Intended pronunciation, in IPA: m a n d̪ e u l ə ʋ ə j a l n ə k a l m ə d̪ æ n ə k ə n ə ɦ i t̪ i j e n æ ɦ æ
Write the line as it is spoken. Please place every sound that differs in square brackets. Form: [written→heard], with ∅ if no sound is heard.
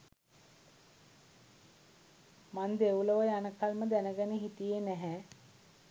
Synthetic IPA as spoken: m a n d̪ e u l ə ʋ ə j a [l→∅] n ə k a l m ə d̪ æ n ə [k→ɡ] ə n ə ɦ i t̪ i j e n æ ɦ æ